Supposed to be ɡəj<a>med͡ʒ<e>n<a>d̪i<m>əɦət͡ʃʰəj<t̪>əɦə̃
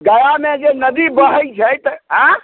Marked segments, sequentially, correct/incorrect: correct, correct, incorrect, incorrect, correct

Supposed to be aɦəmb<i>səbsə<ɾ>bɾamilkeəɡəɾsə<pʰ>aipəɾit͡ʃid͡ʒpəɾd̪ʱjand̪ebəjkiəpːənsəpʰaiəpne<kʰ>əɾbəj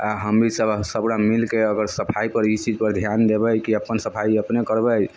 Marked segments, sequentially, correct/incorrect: correct, incorrect, correct, incorrect

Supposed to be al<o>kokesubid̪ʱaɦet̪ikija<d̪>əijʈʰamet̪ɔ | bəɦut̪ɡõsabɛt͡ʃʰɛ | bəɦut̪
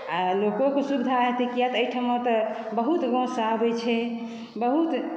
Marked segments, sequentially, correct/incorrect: correct, incorrect

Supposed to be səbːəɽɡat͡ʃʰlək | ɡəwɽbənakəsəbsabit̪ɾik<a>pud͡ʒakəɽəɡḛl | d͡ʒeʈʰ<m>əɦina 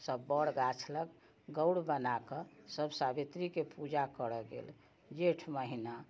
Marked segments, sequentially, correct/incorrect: incorrect, correct

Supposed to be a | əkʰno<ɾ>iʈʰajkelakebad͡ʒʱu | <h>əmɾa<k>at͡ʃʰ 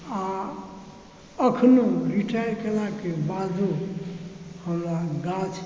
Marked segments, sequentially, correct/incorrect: correct, correct, incorrect

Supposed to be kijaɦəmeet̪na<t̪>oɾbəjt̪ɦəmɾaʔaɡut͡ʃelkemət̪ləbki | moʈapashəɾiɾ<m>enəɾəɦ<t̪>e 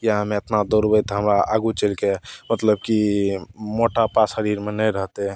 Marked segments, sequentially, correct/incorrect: incorrect, correct, correct

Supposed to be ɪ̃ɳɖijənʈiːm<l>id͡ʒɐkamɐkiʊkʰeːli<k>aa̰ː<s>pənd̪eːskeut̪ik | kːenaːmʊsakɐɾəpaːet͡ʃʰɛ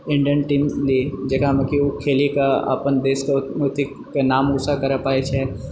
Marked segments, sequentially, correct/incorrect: correct, correct, incorrect

